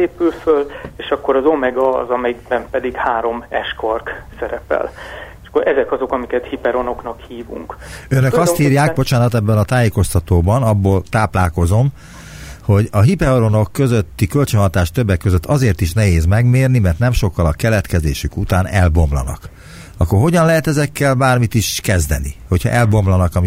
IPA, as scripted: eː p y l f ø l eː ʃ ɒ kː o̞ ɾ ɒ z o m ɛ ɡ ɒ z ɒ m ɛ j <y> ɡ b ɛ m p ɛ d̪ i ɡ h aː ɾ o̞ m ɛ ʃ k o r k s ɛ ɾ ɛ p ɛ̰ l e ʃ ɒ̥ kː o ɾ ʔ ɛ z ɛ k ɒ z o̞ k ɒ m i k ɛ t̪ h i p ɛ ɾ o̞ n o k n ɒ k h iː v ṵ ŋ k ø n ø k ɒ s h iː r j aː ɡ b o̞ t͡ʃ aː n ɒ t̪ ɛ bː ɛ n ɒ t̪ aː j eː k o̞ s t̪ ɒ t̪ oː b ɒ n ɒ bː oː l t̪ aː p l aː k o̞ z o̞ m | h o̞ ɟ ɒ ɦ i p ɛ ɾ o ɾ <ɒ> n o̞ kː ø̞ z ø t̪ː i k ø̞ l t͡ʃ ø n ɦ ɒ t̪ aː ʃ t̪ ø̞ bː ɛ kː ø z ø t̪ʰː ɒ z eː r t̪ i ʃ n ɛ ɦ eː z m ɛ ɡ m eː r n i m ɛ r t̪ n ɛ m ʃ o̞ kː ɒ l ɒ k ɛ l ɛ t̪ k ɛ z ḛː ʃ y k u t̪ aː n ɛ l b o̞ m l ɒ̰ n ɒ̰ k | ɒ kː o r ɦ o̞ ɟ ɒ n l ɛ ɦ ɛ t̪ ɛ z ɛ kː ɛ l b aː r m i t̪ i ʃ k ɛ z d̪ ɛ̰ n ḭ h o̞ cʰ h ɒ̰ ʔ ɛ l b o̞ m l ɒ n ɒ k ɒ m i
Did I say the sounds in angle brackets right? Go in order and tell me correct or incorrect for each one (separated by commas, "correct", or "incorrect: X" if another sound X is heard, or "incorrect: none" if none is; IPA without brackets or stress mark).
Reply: incorrect: i, incorrect: o